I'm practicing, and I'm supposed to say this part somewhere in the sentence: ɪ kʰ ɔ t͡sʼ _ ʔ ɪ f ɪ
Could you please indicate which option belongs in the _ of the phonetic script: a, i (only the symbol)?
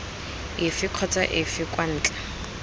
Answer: a